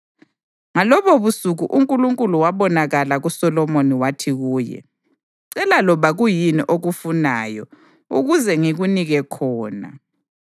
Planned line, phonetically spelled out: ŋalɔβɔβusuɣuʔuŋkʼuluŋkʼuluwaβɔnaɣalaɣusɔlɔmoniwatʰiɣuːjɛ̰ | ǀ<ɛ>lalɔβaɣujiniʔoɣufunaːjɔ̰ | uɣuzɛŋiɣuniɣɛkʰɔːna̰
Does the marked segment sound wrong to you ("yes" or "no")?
no